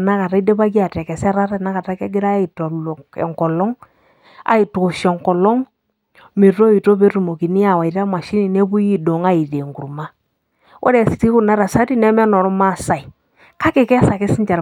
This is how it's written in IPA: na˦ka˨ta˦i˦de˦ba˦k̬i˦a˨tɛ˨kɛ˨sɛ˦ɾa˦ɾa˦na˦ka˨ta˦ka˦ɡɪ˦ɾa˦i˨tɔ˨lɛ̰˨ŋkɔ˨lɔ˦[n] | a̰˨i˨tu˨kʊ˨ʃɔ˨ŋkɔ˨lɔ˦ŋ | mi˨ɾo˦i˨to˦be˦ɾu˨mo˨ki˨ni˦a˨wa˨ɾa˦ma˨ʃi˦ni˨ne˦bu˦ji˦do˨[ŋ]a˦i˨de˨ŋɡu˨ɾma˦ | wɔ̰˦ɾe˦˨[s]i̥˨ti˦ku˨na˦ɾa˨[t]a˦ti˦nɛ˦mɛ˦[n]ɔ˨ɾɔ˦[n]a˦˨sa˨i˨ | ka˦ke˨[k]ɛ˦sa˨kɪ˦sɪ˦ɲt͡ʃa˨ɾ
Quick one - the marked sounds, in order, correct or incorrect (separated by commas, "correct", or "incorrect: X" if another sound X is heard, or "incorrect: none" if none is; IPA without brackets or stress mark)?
incorrect: ŋ, correct, correct, incorrect: s, correct, incorrect: m, correct